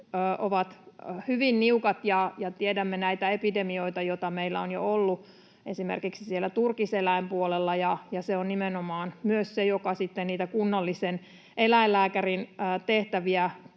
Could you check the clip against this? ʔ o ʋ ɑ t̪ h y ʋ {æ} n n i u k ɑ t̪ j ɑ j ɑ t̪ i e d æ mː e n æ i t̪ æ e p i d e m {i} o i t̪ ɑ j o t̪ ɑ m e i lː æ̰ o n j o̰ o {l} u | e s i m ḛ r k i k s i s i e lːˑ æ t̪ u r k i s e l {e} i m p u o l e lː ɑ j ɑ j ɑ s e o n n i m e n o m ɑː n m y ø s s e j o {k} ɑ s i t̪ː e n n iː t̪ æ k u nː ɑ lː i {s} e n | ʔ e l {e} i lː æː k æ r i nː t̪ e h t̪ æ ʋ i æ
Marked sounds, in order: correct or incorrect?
incorrect: i, correct, incorrect: lː, incorrect: æ, correct, correct, incorrect: æ

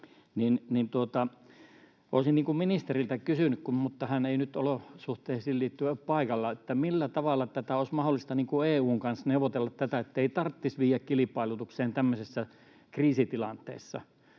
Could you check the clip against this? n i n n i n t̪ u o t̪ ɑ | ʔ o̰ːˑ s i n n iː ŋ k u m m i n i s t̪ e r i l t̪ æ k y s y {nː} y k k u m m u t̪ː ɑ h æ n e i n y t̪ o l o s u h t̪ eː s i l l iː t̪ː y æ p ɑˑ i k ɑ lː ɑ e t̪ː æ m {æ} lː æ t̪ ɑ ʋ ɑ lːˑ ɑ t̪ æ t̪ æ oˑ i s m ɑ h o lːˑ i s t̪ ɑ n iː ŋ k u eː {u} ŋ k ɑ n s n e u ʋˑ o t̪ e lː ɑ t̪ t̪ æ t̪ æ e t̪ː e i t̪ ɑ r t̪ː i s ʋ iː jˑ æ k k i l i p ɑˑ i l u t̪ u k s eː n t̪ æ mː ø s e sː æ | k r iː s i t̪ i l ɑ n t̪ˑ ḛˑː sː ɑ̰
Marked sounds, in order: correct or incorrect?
incorrect: n, incorrect: i, incorrect: uː

